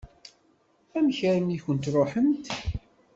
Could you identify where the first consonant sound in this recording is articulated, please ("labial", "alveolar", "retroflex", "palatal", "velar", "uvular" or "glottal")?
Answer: labial